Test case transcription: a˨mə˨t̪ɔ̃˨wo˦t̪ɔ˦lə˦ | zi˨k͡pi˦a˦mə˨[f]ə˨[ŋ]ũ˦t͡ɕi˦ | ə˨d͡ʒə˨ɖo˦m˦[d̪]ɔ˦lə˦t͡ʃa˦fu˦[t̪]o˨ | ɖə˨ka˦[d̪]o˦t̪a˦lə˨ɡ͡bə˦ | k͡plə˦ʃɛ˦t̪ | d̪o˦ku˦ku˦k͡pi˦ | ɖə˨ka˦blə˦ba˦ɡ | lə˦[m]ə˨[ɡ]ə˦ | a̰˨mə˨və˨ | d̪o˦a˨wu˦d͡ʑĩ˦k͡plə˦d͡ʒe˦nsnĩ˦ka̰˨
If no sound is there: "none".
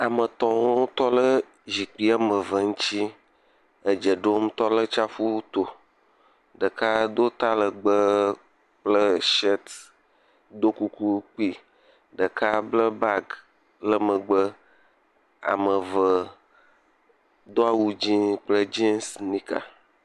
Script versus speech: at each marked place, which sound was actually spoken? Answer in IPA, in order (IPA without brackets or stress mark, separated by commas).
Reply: v, ŋ, t̪, t̪, d̪, m, ɡ͡b